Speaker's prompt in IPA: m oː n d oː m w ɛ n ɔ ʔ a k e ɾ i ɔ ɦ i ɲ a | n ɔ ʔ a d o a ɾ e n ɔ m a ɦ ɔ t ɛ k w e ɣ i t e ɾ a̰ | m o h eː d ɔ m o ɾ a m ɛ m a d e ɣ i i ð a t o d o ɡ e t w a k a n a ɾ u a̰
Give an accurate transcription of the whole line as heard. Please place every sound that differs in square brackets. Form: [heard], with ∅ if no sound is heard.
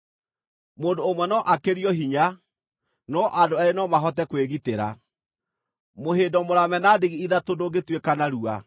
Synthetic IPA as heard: m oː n d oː m w ɛ n ɔ ʔ a k e ɾ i ɔ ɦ i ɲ a | n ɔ ʔ a d o a ɾ e n ɔ m a ɦ ɔ t ɛ k w e ɣ i t e ɾ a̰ | m o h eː d ɔ m o ɾ a m ɛ [n] a d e ɣ i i ð a t o d o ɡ e t w [e] k a n a ɾ u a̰